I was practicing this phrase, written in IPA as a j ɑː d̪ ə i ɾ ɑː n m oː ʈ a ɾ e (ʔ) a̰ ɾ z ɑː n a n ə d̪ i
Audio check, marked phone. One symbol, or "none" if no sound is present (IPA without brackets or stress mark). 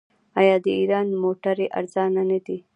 ʔ